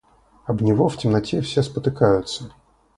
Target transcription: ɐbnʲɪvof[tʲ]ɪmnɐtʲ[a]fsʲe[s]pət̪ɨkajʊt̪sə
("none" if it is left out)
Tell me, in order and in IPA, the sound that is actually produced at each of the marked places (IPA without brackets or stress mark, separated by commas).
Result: tʲ, e, s